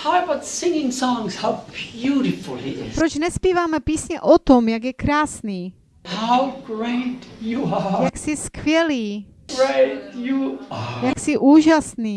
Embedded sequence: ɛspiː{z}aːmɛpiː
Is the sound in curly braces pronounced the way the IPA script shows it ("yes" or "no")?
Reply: no